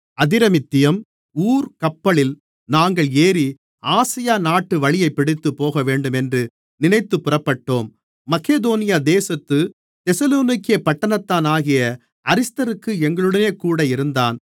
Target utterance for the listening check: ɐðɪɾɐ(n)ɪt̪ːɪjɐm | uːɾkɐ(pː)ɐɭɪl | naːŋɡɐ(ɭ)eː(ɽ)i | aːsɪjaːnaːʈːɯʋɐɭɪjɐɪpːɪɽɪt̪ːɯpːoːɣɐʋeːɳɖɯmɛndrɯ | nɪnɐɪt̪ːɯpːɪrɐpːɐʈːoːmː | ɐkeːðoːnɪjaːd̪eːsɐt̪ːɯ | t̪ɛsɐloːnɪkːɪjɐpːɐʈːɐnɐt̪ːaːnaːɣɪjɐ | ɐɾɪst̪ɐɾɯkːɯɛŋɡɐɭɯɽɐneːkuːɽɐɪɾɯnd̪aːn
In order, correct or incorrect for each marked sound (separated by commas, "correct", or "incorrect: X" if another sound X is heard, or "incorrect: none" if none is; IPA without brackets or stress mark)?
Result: incorrect: m, correct, correct, incorrect: ɾ